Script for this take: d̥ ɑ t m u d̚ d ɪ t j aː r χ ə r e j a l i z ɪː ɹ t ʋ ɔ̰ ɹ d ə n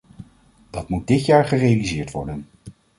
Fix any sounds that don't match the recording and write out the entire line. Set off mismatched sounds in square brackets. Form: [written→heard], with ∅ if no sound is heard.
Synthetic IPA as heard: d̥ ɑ t m u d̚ d ɪ t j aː [r→ɹ] χ ə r e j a l i z ɪː ɹ t ʋ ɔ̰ ɹ d ə n